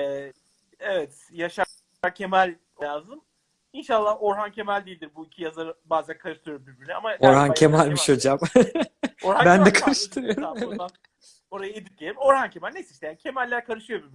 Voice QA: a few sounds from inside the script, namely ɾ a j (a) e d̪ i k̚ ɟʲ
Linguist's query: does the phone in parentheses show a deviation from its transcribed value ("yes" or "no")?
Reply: no